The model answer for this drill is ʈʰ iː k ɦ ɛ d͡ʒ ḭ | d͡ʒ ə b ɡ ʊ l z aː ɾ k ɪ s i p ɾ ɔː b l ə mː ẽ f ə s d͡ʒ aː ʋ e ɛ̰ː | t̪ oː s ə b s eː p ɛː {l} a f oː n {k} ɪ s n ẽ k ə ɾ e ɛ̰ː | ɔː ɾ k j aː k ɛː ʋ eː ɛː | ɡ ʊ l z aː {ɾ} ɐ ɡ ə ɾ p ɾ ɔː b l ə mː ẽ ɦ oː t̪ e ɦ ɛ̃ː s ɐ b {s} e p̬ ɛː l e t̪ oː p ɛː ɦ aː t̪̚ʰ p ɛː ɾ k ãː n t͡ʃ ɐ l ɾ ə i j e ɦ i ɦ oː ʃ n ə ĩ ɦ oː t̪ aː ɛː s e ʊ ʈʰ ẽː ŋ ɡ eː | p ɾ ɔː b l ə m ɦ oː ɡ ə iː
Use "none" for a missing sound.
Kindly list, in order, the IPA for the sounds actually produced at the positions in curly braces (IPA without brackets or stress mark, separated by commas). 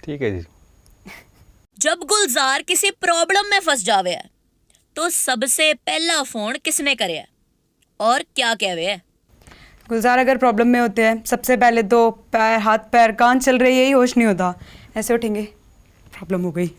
l, k, ɾ, s